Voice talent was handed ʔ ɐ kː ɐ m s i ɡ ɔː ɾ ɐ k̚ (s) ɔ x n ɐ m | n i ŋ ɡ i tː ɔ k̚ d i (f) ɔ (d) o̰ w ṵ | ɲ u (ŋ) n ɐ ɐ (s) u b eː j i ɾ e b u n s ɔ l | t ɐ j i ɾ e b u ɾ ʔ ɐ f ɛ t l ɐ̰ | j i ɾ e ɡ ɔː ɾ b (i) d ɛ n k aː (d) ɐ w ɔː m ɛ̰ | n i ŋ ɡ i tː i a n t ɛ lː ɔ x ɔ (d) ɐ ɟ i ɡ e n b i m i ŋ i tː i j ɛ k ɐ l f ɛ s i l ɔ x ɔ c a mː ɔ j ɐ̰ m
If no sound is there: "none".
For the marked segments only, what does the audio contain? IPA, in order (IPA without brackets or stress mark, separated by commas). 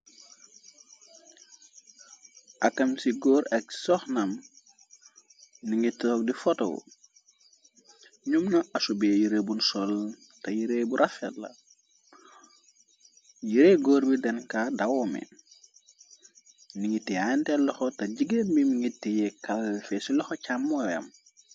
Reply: s, f, t, m, s, i, d, t